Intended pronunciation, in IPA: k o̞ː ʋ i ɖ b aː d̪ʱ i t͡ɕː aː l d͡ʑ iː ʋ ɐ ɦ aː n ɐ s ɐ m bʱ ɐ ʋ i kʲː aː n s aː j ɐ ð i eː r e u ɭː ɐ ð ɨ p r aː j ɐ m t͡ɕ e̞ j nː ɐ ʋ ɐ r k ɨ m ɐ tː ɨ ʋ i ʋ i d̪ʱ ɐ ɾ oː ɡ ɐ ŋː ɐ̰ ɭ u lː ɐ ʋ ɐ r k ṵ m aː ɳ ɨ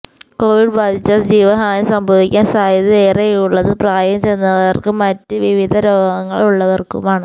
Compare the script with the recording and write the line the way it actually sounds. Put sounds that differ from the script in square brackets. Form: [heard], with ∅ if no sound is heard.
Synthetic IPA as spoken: k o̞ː ʋ i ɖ b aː d̪ʱ i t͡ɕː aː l d͡ʑ iː ʋ ɐ ɦ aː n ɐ s ɐ m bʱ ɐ ʋ i kʲː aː n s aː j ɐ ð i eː r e u ɭː ɐ ð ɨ p r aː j ɐ m t͡ɕ e̞ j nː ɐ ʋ ɐ r k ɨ m ɐ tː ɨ ʋ i ʋ i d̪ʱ ɐ ɾ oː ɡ ɐ ŋː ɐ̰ ɭ u [ɭː] ɐ ʋ ɐ r k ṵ m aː ɳ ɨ